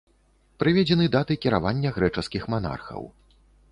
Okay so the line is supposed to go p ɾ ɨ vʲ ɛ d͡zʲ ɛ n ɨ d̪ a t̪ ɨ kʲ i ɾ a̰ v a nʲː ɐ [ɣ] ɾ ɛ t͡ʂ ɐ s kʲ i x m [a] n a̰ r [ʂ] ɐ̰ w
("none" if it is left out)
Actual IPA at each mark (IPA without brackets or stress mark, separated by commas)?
ɣ, a, x